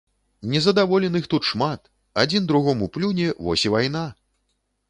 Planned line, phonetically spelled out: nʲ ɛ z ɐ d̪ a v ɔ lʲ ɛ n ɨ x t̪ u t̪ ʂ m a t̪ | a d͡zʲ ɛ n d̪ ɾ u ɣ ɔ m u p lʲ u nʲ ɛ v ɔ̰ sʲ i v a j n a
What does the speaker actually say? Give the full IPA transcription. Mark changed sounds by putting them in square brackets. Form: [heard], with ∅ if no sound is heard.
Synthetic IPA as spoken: nʲ ɛ z ɐ d̪ a v ɔ lʲ ɛ n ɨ x t̪ u t̪ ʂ m a t̪ | a d͡zʲ [i] n d̪ ɾ u ɣ ɔ m u p lʲ u nʲ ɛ v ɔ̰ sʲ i v a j n a